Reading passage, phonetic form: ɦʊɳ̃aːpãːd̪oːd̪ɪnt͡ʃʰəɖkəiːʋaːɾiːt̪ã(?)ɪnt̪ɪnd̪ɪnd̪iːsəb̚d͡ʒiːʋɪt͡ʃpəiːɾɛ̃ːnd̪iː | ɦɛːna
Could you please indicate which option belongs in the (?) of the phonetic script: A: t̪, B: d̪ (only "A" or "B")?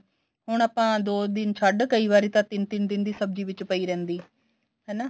A